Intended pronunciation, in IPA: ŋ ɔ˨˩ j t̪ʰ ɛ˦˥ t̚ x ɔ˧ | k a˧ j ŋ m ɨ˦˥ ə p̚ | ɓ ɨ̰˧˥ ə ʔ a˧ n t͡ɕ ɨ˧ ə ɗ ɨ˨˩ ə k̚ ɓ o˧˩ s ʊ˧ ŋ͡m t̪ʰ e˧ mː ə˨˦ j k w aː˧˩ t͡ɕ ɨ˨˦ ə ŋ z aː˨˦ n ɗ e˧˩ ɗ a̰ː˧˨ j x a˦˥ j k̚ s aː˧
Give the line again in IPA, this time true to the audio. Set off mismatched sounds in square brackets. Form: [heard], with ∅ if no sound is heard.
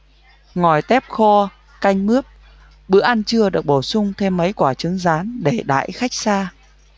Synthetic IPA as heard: ŋ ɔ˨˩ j [t̪] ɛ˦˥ [p̚] x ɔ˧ | k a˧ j ŋ m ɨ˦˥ ə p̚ | ɓ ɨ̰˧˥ ə ʔ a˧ n t͡ɕ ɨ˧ ə ɗ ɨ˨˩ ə k̚ ɓ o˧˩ s ʊ˧ ŋ͡m t̪ʰ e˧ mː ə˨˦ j k w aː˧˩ t͡ɕ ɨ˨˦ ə ŋ z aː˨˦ n ɗ e˧˩ ɗ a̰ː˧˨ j x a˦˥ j k̚ s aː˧